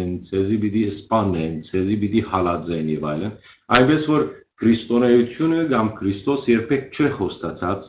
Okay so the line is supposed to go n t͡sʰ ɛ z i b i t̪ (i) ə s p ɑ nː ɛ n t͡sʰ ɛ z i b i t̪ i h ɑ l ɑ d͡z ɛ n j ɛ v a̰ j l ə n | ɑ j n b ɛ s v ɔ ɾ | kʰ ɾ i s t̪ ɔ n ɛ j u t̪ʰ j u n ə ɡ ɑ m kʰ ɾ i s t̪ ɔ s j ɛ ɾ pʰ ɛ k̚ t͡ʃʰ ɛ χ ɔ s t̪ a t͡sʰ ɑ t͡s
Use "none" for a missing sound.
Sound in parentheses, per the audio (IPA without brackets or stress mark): i